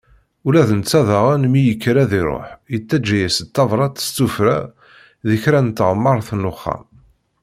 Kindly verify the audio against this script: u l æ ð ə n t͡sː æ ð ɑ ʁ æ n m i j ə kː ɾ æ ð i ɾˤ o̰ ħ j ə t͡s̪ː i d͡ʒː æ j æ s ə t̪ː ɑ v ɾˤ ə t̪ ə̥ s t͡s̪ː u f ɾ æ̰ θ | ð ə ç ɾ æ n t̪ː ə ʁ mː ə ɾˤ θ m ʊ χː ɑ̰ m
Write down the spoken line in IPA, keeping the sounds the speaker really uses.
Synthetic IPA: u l æ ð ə n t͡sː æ ð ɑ ʁ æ n m i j ə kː ɾ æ ð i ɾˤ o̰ ħ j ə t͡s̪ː æ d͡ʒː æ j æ s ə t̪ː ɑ v ɾˤ ɑ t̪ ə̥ s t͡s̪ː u f ɾ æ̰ | ð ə ç ɾ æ n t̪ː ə ʁ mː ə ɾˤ θ n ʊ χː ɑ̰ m